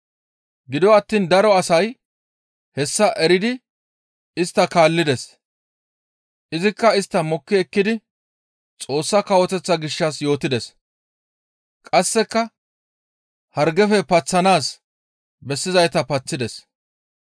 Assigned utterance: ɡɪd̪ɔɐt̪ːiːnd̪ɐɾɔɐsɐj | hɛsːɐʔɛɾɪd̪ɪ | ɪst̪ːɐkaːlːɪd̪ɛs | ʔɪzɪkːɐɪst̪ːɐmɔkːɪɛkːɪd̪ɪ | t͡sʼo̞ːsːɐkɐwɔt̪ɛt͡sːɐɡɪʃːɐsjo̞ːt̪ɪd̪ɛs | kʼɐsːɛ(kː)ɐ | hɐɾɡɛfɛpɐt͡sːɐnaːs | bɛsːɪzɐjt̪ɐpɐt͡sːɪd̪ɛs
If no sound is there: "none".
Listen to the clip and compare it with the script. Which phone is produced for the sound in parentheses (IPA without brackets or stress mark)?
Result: kː